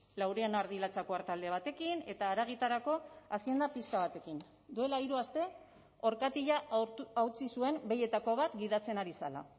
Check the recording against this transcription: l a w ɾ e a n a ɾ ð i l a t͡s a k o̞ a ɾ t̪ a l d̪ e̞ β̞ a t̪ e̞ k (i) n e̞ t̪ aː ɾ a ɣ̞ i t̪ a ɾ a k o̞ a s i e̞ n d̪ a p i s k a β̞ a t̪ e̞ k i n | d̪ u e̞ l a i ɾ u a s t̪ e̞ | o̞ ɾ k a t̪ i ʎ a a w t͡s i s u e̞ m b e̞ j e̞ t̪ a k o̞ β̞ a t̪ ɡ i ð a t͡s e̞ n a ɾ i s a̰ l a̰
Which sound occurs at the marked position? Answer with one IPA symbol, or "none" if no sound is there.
i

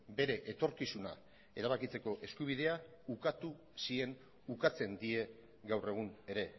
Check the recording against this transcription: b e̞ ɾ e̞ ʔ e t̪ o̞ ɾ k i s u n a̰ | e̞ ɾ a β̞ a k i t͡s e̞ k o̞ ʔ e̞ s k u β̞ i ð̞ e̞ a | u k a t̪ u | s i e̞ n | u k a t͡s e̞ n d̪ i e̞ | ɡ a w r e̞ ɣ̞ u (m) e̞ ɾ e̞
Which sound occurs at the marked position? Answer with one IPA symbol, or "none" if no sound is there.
n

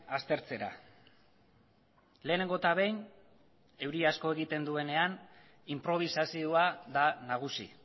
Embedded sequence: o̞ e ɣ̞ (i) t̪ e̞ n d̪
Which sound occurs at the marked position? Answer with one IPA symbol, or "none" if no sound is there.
i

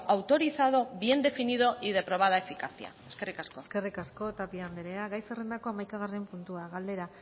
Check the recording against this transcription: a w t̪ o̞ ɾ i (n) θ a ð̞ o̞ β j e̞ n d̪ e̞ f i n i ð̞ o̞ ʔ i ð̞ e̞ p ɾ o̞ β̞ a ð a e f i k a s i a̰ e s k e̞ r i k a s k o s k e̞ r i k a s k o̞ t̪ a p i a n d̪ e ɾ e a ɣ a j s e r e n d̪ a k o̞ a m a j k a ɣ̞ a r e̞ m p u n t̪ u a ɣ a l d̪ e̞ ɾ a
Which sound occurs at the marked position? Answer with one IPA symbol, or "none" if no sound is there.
none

